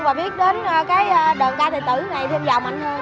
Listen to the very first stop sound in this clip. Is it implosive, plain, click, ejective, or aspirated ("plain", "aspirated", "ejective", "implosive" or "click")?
implosive